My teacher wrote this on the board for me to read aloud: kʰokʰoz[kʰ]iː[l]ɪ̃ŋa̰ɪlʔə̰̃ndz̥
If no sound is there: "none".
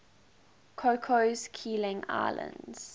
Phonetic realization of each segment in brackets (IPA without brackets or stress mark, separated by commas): kʰ, l